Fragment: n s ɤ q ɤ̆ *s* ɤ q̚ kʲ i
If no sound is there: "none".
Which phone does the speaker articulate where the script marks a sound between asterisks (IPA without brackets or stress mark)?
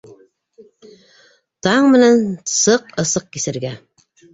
s